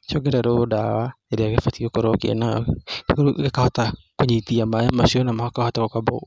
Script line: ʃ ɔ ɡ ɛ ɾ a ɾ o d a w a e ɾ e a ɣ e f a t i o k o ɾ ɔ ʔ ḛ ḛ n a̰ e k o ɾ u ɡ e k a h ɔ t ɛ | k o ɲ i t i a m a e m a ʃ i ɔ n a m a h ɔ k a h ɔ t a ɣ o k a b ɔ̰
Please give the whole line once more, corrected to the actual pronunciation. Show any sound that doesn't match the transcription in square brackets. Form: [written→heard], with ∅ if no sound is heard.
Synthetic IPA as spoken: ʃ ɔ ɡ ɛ ɾ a ɾ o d a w a e ɾ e a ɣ e f a t i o k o ɾ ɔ [ʔ→k] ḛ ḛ n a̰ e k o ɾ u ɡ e k a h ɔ t [ɛ→a] | k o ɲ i t i a m a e m a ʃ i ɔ n a m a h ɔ k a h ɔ t a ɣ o k a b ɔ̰